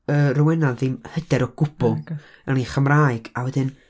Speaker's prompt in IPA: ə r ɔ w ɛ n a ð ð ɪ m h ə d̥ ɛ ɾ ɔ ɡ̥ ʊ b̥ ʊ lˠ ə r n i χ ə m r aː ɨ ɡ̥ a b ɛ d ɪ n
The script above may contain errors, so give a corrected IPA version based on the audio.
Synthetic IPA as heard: ə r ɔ w ɛ n a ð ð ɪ m h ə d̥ ɛ ɾ ɔ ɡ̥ ʊ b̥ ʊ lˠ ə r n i χ ə m r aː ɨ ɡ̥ a w ɛ d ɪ n